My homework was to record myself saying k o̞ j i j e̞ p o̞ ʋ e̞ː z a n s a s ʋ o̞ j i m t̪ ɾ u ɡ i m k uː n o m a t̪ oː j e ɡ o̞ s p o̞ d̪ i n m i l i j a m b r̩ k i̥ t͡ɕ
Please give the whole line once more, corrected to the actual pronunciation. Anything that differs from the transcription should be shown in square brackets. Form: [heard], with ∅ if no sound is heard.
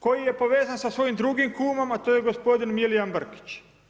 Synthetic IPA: k o̞ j i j e̞ p o̞ ʋ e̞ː z a n s a s ʋ o̞ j i m [d̪] ɾ u ɡ i m k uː [m] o m a t̪ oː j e ɡ o̞ s p o̞ d̪ i n m i l i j a m b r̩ k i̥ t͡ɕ